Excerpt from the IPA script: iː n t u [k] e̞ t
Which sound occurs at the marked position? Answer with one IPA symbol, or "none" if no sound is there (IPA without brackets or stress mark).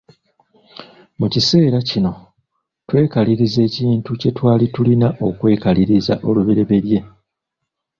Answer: c